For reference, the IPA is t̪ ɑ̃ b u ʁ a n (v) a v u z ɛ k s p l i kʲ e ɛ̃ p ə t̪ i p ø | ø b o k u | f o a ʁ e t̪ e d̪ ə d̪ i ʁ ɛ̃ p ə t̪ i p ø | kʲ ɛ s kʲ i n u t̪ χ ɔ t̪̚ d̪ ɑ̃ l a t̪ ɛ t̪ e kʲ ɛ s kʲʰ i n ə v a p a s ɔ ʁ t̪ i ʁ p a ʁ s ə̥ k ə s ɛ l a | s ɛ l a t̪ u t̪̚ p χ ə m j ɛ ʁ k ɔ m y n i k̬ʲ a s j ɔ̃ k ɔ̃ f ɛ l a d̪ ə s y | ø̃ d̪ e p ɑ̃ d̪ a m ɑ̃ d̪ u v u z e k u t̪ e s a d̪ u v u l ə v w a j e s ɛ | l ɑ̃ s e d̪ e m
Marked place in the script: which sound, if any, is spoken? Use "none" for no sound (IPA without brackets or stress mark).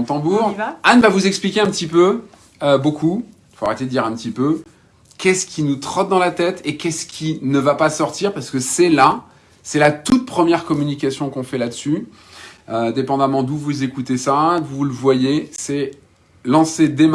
v